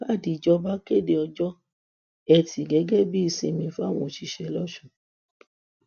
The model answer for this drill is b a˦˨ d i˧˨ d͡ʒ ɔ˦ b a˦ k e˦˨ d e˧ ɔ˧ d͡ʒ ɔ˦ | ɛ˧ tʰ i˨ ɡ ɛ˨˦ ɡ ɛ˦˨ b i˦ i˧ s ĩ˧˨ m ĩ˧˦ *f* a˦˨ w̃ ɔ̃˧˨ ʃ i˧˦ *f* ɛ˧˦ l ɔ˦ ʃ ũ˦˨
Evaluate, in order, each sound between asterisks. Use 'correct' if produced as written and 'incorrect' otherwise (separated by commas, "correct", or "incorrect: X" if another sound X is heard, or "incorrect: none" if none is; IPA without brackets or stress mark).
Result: correct, incorrect: ʃ